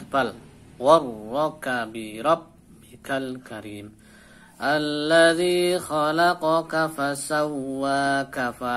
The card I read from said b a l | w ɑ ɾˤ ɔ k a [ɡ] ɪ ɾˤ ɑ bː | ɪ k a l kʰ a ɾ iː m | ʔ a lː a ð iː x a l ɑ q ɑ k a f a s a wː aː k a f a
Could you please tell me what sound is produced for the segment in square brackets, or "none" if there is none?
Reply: b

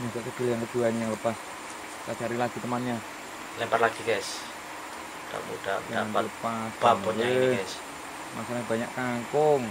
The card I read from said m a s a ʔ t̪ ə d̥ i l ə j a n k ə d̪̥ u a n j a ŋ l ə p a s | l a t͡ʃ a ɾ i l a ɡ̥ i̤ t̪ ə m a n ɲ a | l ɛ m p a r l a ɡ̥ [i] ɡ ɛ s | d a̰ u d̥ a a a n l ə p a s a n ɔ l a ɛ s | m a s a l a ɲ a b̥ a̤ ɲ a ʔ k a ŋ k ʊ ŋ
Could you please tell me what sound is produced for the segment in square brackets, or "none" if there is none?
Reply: i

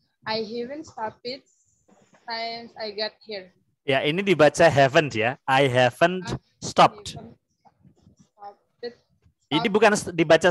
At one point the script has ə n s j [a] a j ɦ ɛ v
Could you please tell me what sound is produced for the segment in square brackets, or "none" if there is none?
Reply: a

